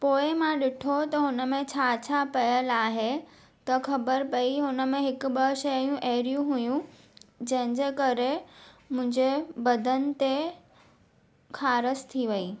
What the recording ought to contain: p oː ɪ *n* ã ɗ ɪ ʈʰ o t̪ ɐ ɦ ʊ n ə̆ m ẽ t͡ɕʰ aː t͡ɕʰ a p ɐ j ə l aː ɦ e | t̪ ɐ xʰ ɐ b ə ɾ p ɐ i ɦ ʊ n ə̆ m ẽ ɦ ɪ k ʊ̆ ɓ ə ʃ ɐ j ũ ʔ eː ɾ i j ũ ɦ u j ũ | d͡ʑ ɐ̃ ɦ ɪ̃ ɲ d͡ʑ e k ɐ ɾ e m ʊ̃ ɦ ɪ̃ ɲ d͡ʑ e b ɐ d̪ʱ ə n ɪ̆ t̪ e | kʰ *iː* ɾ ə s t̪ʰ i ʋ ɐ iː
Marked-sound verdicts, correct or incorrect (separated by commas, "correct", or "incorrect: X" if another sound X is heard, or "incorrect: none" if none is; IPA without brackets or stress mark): incorrect: m, incorrect: aː